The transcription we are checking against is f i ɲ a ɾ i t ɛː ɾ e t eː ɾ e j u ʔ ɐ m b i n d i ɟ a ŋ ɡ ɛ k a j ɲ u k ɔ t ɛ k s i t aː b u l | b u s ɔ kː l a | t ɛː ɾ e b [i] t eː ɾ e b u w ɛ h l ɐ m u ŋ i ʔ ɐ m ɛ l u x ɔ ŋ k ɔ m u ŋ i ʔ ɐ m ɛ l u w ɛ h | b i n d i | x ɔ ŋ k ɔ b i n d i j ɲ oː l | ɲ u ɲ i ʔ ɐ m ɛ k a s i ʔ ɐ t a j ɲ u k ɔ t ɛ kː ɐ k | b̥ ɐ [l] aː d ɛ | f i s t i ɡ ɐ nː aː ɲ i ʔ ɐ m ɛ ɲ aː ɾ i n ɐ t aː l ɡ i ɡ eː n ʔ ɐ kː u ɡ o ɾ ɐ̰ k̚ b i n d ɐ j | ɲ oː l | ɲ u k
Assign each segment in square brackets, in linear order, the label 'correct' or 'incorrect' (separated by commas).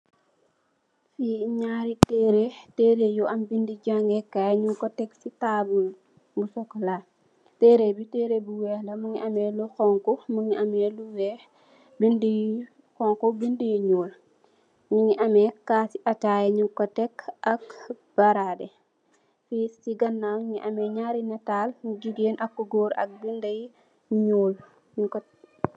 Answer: correct, incorrect